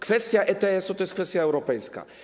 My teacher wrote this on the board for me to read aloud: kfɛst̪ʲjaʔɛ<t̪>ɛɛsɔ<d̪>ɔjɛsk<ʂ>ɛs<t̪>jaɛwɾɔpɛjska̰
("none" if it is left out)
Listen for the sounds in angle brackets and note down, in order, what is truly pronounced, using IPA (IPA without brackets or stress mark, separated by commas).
t̪, t̪, f, t̪